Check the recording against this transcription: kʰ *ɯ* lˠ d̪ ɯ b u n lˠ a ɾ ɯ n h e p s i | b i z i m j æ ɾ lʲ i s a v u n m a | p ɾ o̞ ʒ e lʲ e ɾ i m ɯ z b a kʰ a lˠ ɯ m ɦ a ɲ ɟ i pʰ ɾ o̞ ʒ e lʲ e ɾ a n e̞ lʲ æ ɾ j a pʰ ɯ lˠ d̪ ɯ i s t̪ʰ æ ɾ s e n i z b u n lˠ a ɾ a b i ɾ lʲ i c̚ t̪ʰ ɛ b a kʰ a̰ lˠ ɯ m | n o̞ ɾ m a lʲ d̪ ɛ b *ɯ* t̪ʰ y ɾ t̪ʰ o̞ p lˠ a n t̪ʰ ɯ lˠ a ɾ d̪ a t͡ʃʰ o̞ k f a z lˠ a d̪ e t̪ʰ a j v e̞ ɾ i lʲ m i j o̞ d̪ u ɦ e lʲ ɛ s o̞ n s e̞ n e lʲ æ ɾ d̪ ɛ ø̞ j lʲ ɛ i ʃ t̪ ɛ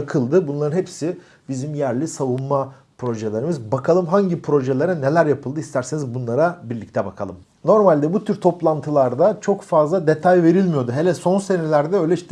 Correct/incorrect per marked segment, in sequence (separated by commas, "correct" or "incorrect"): correct, incorrect